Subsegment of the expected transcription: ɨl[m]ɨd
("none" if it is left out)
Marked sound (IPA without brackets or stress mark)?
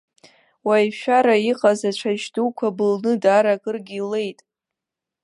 n